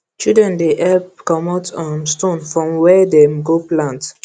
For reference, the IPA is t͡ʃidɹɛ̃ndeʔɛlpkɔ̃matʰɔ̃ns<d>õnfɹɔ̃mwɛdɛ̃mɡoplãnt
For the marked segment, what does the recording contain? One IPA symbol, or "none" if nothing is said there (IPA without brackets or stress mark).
t